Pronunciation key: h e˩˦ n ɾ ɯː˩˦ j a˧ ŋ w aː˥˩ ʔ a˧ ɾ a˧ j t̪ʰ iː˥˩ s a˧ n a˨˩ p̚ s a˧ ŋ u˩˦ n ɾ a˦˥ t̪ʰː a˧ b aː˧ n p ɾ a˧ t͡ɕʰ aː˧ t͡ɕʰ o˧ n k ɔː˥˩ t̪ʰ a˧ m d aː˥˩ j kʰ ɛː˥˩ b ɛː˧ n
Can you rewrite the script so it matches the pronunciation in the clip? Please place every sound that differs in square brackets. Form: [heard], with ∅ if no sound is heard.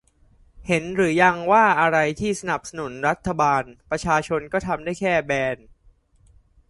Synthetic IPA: h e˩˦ n ɾ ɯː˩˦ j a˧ ŋ w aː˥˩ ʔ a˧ ɾ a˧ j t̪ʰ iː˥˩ s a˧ n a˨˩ p̚ s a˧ [n] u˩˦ n ɾ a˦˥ t̪ʰː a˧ b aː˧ n p ɾ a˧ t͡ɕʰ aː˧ t͡ɕʰ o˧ n k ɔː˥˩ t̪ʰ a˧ m d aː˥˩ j kʰ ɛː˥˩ b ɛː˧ n